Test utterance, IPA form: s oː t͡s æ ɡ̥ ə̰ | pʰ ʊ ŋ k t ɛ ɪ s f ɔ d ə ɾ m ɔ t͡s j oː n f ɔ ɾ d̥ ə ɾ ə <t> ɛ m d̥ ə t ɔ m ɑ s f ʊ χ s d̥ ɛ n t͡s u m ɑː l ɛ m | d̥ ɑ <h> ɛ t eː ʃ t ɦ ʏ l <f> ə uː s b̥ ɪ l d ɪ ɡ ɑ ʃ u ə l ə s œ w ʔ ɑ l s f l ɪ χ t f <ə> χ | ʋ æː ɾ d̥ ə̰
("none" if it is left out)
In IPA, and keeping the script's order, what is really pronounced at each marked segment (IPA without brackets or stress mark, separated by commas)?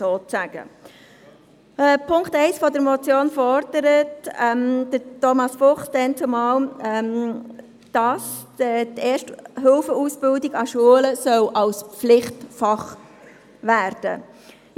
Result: t, s, f, ɑ